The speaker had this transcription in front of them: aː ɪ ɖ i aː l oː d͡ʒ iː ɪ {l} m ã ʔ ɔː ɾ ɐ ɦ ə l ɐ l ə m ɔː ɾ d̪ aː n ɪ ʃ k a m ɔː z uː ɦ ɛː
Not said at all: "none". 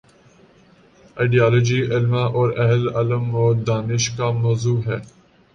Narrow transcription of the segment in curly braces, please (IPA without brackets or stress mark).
l